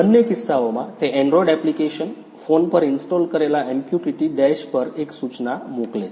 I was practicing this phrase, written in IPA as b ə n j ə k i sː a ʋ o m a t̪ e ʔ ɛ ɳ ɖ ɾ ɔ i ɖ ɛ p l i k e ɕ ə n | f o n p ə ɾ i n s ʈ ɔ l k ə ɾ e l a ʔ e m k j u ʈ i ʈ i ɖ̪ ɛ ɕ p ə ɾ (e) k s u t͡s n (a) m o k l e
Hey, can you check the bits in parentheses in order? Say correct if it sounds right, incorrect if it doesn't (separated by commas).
correct, correct